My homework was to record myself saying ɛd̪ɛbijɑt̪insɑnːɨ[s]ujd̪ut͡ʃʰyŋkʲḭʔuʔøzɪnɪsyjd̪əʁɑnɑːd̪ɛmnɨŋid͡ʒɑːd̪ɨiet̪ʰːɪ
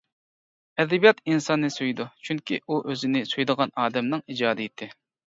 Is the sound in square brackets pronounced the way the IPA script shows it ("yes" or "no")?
yes